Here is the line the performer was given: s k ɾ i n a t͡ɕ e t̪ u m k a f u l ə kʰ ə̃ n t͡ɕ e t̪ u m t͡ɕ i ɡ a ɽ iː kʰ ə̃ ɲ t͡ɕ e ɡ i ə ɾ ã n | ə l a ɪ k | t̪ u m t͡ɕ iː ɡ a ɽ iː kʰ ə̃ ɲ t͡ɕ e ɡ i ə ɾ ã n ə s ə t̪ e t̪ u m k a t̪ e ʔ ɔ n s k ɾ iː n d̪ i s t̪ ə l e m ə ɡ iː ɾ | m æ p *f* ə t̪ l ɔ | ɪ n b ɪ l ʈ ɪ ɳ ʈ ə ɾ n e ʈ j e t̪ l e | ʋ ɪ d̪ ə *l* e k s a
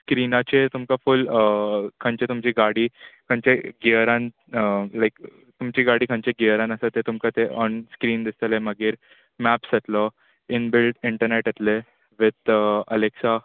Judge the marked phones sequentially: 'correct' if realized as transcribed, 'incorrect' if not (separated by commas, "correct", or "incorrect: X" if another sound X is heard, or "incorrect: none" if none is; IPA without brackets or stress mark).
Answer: incorrect: s, correct